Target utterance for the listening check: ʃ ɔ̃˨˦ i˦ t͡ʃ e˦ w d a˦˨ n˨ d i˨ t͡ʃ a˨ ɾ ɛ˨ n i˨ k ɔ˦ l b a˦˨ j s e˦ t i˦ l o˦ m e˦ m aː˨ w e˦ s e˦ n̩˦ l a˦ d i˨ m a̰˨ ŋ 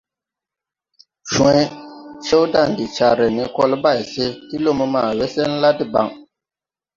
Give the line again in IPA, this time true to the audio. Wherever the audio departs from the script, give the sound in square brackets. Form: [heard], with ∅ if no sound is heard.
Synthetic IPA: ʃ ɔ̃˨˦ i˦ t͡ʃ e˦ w d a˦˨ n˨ d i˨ t͡ʃ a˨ ɾ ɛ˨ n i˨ k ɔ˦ l b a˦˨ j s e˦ t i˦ l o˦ m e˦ m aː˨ w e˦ s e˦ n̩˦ l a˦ d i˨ [b] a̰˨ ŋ